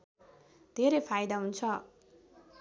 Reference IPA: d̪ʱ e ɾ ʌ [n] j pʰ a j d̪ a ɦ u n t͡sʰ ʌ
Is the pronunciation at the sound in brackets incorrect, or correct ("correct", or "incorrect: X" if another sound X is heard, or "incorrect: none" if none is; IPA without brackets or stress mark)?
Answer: incorrect: none